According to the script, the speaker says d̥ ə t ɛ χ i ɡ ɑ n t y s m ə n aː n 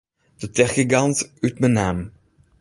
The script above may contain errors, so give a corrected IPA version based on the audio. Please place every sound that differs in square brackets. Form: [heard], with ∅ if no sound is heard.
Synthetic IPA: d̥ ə t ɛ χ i ɡ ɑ n t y [t] m ə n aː [m]